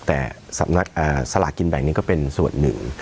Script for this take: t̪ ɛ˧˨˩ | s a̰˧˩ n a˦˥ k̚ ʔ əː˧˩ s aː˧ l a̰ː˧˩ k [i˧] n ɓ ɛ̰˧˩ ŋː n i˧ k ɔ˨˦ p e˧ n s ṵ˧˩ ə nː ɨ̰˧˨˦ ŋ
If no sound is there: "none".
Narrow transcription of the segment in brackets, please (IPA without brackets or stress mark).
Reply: i˧